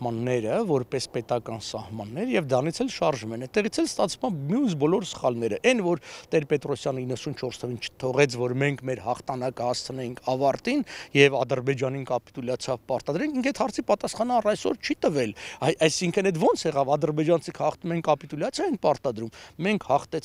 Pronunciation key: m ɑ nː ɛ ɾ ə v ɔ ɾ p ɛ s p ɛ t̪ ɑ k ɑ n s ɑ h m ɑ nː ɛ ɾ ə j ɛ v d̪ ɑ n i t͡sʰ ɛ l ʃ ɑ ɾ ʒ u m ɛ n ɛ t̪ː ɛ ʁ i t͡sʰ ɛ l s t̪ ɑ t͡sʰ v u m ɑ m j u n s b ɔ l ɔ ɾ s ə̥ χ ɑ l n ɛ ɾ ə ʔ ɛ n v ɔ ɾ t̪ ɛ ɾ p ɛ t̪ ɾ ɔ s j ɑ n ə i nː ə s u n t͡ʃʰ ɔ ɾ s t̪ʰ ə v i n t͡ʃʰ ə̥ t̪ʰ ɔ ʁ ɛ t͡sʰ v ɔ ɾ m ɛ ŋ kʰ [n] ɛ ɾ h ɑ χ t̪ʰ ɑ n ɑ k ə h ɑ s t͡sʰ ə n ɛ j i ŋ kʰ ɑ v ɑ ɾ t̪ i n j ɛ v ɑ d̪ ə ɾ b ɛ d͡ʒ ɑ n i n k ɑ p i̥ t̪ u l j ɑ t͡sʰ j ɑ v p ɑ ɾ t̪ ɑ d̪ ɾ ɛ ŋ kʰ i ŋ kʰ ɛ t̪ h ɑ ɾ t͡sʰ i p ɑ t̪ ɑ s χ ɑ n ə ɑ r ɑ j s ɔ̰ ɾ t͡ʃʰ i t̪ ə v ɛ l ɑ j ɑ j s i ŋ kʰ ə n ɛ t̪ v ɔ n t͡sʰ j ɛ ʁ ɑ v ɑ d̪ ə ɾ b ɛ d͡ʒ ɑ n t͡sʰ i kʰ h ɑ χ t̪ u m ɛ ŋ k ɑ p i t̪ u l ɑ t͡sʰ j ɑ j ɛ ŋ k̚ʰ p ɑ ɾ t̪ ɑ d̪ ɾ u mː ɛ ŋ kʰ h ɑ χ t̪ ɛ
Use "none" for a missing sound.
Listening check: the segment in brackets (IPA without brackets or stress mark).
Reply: m